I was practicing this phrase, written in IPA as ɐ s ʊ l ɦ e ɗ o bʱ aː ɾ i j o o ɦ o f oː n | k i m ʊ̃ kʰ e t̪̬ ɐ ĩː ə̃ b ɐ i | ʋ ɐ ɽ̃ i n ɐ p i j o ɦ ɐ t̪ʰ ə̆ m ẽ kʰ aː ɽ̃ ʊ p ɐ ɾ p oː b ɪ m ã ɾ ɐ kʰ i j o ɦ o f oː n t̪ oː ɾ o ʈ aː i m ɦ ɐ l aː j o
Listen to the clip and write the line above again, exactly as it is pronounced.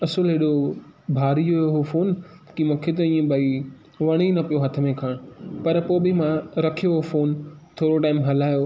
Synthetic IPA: ɐ s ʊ l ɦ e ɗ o bʱ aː ɾ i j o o ɦ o f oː n | k i m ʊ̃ kʰ e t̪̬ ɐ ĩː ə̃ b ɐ i | ʋ ɐ ɽ̃ i n ɐ p i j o ɦ ɐ t̪ʰ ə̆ m ẽ kʰ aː ɽ̃ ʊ p ɐ ɾ p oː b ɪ m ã ɾ ɐ kʰ i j o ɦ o f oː n t̪ʰ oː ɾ o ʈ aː ɪ m ɦ ɐ l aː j o